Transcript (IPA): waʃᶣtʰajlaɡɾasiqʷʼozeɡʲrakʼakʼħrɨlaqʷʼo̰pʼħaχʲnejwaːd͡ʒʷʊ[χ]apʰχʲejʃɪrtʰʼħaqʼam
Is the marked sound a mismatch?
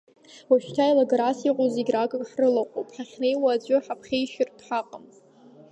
yes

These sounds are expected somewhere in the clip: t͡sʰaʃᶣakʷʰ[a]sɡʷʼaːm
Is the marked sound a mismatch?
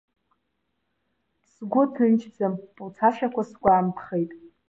no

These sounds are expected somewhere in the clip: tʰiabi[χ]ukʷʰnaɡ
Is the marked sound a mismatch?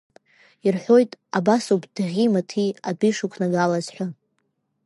yes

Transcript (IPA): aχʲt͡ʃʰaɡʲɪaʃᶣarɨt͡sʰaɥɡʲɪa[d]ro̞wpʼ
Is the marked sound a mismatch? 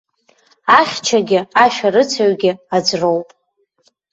yes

